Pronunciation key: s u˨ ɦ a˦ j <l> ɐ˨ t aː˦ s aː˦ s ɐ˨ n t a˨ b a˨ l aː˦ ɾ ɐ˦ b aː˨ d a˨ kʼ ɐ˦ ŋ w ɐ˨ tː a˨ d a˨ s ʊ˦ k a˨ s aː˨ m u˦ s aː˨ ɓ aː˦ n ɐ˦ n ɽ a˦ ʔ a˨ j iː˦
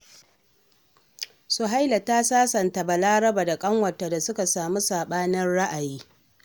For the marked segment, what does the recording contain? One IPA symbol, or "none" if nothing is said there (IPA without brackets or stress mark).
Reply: l